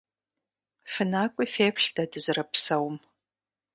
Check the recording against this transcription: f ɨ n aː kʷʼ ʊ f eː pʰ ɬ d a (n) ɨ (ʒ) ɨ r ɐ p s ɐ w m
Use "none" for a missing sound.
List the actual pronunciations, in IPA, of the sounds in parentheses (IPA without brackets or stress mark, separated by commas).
d, z